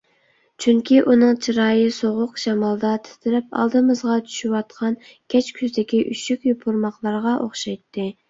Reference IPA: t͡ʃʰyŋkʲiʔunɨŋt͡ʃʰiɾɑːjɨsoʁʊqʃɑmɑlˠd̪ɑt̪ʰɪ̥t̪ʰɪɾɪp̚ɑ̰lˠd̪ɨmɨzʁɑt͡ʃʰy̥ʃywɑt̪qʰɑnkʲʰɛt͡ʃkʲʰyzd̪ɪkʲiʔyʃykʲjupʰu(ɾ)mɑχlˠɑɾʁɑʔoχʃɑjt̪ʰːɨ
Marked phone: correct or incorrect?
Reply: correct